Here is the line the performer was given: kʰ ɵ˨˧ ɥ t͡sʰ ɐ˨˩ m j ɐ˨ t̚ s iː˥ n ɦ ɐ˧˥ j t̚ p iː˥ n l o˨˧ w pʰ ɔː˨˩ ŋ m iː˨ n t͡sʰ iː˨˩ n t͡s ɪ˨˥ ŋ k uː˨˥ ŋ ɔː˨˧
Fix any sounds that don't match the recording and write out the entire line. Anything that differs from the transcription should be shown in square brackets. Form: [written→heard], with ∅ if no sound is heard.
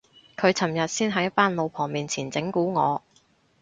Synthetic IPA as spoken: kʰ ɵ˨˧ ɥ t͡sʰ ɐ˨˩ m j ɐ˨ t̚ s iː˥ n ɦ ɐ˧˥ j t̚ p [iː˥→aː˥] n l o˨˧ w pʰ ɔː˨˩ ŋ m iː˨ n t͡sʰ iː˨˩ n t͡s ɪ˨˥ ŋ k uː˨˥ ŋ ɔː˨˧